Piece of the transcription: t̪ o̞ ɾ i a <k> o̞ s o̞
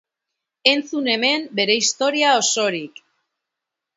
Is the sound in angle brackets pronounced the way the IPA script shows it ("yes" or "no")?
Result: no